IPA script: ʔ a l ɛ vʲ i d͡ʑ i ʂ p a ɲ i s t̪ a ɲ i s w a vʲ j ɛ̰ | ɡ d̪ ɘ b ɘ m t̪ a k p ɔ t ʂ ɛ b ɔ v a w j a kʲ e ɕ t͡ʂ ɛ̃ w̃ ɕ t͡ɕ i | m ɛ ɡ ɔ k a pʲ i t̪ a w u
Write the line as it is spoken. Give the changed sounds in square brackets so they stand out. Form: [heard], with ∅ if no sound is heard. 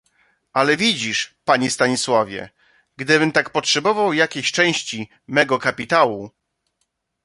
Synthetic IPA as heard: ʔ a l ɛ vʲ i d͡ʑ i ʂ p a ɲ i s t̪ a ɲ i s w a vʲ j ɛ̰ | ɡ d̪ ɘ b ɘ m t̪ a k p ɔ t ʂ ɛ b ɔ v a w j a kʲ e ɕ t͡ʂ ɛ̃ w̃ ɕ t͡ɕ i | m ɛ ɡ ɔ k a pʲ i t̪ a w u